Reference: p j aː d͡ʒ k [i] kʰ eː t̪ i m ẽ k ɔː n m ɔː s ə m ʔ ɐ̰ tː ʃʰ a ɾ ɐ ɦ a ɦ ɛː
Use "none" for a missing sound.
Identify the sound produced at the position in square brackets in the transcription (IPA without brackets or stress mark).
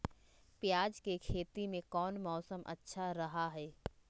e